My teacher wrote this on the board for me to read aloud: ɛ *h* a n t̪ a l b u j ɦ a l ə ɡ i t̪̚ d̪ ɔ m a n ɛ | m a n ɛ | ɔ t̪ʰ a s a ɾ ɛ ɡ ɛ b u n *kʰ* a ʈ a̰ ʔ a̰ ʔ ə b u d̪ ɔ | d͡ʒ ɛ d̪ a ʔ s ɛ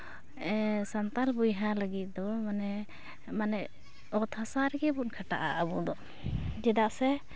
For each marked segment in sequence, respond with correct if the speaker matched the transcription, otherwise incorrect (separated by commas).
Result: incorrect, correct